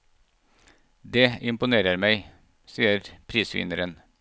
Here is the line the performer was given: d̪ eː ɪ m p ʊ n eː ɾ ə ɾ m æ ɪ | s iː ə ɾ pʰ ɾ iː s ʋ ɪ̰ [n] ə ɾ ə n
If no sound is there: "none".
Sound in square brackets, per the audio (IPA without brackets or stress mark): n